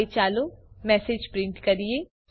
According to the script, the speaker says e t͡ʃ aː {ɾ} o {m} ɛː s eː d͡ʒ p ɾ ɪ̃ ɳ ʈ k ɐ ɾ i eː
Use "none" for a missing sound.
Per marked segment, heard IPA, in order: l, m

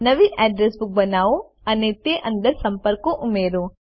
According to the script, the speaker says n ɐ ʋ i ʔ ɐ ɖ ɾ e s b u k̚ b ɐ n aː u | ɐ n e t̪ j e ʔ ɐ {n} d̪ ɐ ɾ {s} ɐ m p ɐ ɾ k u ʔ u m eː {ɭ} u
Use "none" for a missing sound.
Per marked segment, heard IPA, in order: n, s, ɾ

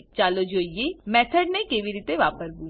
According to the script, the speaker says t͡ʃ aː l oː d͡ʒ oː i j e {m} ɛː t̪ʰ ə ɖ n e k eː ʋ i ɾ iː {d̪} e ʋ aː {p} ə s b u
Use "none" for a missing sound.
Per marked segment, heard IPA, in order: m, t̪, p

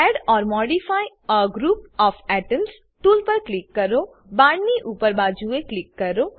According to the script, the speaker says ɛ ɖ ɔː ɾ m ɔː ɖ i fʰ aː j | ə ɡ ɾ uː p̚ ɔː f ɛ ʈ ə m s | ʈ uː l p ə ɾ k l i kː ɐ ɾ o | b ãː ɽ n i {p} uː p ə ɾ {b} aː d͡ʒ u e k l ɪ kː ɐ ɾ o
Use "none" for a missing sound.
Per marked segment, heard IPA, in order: ʔ, b

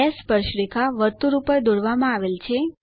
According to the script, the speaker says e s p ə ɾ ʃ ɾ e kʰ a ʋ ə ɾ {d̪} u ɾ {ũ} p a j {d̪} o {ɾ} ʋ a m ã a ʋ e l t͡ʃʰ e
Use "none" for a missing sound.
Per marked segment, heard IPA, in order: t̪, u, d̪, ɽ

